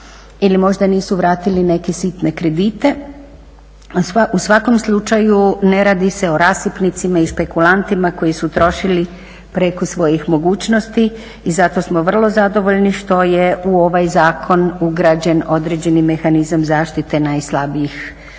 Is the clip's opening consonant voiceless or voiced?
voiced